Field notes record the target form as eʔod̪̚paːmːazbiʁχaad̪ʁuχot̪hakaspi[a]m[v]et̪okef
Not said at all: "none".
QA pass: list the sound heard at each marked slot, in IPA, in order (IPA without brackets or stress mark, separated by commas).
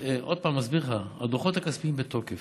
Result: i, b